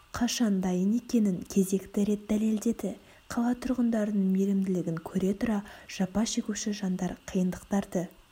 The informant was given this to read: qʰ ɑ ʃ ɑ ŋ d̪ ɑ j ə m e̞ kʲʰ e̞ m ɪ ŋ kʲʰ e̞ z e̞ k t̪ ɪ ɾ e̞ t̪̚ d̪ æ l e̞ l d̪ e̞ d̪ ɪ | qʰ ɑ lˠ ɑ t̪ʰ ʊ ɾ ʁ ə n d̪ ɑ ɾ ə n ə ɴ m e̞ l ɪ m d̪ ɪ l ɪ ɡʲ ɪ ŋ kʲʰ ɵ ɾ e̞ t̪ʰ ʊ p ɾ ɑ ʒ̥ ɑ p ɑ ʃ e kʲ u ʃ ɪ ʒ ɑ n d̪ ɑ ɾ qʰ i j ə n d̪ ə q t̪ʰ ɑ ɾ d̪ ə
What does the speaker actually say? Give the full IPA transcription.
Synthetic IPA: qʰ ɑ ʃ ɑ n d̪ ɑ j ə n e̞ kʲ e̞ n ɪ ŋ kʲʰ e̞ z e̞ k t̪ ɪ ɾ e̞ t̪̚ d̪ æ l e̞ l d̪ e̞ d̪ ɪ | qʰ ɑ lˠ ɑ t̪ʰ ʊ ɾ ʁ ə n d̪ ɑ ɾ ə n ə ɴ m e̞ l ɪ m d̪ ɪ l ɪ ɡʲ ɪ ŋ kʲʰ ɵ ɾ e̞ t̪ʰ ʊ ɾ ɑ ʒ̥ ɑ p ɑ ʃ e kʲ u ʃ ɪ ʒ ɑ n d̪ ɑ ɾ qʰ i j ə n d̪ ə q t̪ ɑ ɾ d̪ ə